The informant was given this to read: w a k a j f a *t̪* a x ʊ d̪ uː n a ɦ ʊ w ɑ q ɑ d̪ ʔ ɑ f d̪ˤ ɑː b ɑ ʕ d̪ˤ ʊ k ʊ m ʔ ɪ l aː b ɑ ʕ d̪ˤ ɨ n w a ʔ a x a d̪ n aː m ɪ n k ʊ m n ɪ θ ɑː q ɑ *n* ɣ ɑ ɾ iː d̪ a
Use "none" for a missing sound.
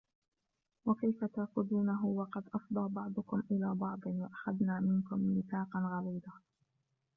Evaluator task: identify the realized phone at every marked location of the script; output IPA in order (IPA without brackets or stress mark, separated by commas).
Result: t̪, n